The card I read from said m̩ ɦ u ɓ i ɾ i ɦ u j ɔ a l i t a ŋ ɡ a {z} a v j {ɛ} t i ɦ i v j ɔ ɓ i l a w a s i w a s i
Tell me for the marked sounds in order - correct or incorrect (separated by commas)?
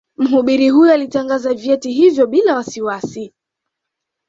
correct, correct